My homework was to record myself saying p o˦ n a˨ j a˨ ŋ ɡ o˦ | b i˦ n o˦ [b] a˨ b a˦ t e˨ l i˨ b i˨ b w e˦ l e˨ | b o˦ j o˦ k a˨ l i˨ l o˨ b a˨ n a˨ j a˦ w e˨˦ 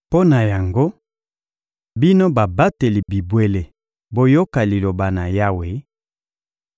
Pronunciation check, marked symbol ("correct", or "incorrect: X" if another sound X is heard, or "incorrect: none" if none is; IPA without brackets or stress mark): correct